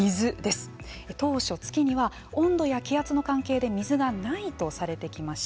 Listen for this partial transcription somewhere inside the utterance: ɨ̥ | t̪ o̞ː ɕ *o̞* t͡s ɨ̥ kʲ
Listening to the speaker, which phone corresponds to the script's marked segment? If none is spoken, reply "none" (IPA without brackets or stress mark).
o̞